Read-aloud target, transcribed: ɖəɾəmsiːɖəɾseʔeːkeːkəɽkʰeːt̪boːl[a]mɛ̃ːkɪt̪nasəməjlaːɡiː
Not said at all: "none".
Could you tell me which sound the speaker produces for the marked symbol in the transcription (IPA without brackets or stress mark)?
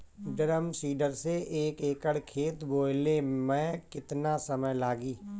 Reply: e